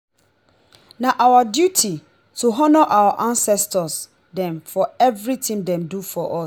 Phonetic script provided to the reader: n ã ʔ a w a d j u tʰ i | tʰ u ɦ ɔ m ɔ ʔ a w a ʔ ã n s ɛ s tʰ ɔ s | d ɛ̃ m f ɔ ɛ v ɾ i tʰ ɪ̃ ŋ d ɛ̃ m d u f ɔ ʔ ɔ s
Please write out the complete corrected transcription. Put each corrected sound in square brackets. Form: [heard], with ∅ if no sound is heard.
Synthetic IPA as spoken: n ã ʔ a w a d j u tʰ i | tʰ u ɦ ɔ [n] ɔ ʔ a w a ʔ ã n s ɛ s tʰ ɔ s | d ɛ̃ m f ɔ ɛ v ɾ i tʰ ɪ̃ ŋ d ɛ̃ m d u f ɔ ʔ ɔ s